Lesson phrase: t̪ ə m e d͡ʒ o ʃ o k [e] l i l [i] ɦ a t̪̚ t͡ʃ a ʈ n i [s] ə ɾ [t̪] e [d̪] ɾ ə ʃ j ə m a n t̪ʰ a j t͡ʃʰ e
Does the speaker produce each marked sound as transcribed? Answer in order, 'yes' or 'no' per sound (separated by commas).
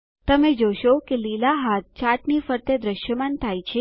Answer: yes, no, no, yes, yes